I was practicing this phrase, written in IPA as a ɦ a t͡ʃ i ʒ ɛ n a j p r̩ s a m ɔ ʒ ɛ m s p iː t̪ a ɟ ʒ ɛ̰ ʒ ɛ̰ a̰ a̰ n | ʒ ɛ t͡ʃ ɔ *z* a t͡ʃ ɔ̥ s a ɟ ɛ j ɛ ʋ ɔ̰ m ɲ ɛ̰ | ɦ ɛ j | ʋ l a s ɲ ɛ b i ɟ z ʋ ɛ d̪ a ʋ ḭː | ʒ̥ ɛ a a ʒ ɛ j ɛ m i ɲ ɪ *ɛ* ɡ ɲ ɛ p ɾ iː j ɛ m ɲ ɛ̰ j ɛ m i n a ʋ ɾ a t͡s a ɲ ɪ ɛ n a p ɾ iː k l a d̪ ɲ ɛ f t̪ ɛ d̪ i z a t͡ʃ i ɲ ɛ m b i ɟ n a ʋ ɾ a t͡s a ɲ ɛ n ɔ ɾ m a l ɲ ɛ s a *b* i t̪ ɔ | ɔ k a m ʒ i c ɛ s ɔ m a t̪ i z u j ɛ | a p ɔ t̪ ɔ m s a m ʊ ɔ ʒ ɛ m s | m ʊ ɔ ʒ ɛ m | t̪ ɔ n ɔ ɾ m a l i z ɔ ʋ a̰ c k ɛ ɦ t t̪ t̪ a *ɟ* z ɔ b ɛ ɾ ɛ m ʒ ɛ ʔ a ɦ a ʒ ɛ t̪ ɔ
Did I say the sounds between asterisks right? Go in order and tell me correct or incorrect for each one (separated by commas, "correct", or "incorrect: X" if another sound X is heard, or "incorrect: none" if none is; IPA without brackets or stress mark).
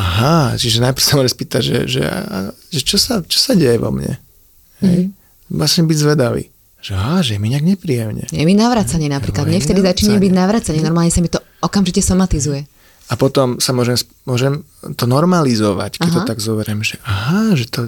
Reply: incorrect: s, incorrect: a, incorrect: m, incorrect: ɡ